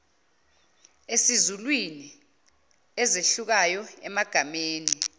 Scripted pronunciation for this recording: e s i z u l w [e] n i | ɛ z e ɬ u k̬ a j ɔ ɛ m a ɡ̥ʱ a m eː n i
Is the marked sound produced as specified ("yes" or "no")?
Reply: no